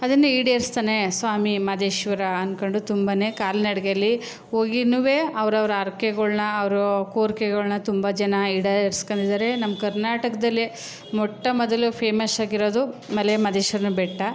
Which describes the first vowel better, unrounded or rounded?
unrounded